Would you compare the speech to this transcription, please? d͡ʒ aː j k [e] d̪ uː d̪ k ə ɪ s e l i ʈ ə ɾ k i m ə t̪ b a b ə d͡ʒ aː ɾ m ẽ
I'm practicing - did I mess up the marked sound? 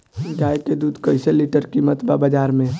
no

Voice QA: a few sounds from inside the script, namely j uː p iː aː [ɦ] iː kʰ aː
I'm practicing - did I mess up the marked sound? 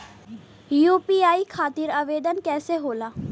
yes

